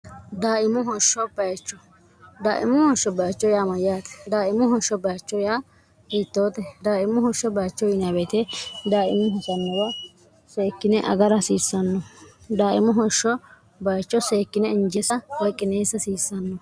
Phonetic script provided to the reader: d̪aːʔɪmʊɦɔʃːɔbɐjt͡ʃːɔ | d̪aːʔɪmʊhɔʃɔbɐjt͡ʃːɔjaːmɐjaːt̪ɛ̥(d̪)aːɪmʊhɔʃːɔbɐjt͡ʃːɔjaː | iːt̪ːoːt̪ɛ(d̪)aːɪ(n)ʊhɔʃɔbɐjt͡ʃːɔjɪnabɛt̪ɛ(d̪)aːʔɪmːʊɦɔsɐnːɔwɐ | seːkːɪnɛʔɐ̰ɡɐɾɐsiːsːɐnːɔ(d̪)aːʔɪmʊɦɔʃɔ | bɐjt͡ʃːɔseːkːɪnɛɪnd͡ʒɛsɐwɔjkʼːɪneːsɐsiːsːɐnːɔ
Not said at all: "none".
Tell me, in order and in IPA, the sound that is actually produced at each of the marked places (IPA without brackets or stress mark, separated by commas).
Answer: d̪, d̪, m, d̪, d̪